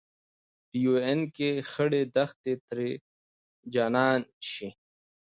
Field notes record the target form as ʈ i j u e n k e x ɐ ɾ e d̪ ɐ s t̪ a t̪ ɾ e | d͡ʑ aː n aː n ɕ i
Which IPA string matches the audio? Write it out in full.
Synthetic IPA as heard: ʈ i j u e n k e x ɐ ɽ e d̪ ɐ x t̪ e t̪ ɾ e | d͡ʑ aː n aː n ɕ i